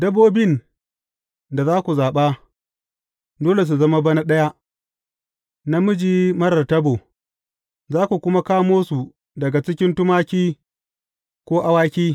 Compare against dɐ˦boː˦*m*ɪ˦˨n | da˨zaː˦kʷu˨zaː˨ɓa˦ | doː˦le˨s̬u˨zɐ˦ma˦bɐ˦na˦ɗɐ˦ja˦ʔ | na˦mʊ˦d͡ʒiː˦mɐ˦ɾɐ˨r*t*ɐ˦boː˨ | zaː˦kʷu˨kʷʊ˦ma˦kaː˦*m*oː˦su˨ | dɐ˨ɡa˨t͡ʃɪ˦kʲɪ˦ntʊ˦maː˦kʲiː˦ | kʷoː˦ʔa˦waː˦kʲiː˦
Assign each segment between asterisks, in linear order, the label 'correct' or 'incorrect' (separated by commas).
incorrect, correct, correct